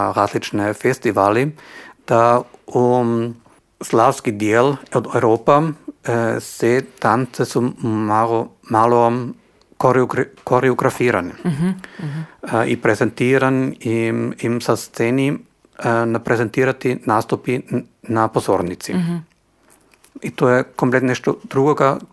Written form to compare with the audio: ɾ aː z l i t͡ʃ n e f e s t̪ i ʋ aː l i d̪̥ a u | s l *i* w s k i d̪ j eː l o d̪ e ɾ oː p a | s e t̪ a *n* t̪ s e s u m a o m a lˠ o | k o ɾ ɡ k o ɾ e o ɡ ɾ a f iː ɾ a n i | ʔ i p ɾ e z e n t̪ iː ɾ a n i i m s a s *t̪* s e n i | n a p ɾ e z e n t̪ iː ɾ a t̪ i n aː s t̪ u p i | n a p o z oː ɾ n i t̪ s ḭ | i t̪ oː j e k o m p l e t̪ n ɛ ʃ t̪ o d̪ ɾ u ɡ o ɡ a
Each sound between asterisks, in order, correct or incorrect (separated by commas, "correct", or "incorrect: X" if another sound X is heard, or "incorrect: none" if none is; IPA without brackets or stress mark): incorrect: a, correct, correct